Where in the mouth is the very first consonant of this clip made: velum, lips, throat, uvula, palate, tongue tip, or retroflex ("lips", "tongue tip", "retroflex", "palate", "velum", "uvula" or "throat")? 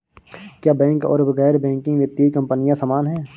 velum